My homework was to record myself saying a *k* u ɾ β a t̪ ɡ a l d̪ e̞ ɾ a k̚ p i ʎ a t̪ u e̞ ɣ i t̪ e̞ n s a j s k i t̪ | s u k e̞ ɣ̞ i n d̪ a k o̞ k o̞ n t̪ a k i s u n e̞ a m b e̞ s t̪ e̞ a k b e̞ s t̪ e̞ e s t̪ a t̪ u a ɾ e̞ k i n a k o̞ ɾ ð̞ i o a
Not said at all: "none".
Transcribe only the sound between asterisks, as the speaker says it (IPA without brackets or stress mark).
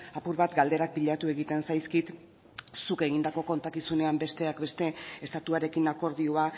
p